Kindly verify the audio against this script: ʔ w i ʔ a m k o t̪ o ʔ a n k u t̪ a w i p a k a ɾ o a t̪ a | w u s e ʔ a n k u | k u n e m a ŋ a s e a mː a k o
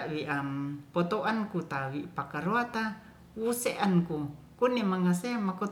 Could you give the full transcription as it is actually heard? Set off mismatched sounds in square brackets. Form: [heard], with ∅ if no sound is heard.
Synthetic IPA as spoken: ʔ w i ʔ a m [p] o t̪ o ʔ a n k u t̪ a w i p a k a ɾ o a t̪ a | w u s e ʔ a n k u | k u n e m a ŋ a s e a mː a k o